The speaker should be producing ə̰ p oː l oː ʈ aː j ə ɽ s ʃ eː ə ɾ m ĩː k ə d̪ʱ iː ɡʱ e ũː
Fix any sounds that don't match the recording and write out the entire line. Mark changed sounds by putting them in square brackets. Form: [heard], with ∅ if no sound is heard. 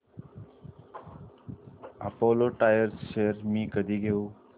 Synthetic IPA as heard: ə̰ p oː l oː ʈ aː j ə [ɾ] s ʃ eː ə ɾ m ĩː k ə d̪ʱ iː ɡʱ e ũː